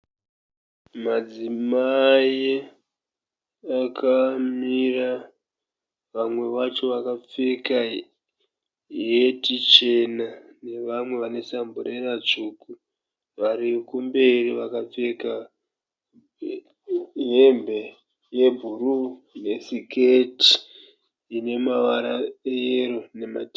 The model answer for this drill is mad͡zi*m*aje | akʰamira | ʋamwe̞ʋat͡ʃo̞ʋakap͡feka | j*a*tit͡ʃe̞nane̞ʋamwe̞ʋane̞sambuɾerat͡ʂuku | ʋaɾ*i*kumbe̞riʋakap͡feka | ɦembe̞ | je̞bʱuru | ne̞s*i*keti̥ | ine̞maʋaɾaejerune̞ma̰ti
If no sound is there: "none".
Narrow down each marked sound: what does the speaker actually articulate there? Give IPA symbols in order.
m, e, i, i

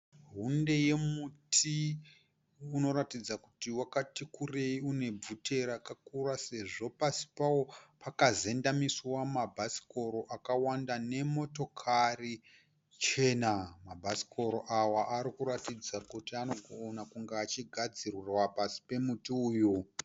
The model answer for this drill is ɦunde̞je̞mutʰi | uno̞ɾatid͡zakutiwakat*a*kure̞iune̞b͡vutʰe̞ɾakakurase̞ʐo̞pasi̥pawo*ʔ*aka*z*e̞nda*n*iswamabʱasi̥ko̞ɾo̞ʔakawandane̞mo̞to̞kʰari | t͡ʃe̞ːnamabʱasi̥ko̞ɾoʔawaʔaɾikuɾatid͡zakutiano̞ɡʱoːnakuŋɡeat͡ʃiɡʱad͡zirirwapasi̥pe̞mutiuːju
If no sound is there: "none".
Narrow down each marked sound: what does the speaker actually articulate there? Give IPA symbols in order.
i, p, z, m

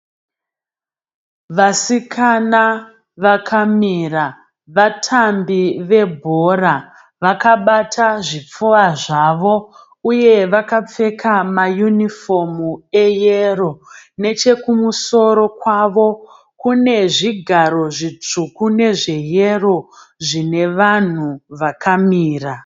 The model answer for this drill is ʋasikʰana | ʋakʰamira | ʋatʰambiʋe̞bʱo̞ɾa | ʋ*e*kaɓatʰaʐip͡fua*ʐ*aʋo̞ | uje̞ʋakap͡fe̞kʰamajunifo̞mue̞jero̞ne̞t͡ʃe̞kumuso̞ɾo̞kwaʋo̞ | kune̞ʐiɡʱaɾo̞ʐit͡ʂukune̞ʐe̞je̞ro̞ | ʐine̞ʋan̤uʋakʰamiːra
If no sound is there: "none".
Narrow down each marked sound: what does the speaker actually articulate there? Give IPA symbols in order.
a, ʐ

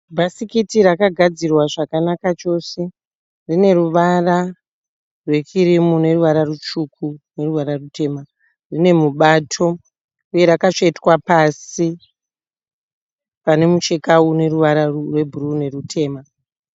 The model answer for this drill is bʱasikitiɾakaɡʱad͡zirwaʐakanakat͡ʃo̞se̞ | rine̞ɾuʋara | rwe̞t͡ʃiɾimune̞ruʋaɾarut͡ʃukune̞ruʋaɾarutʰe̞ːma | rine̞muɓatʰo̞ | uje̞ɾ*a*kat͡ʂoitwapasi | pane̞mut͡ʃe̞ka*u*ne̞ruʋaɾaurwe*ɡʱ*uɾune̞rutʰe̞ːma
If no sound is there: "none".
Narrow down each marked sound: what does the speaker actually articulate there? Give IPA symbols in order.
a, u, bʱ

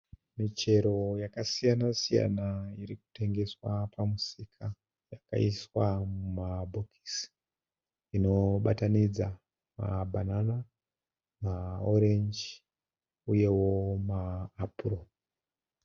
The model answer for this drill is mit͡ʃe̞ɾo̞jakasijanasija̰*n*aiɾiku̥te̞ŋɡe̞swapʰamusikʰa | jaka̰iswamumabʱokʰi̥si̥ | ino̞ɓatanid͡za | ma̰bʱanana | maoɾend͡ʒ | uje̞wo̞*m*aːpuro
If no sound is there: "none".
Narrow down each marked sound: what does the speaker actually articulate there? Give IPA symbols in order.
n, m

